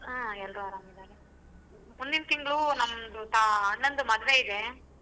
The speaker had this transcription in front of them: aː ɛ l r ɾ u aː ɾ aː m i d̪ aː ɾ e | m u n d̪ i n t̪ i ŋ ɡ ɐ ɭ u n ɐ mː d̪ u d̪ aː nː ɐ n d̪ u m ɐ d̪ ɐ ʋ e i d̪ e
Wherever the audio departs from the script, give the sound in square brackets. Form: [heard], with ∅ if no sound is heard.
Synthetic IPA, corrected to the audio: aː ɛ l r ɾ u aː ɾ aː m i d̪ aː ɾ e | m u n d̪ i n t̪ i ŋ ɡ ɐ ɭ u n ɐ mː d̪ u [t̪] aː nː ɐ n d̪ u m ɐ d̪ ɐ ʋ e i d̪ e